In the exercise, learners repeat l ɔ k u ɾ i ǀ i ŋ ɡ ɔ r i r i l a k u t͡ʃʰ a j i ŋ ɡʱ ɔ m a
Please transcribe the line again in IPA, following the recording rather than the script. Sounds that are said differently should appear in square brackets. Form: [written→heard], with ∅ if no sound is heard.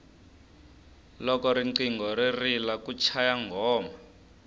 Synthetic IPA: l ɔ k [u→ɔ] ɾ i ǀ i ŋ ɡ ɔ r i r i l a k u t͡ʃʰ a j [i→a] ŋ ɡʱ [ɔ→ɔː] m a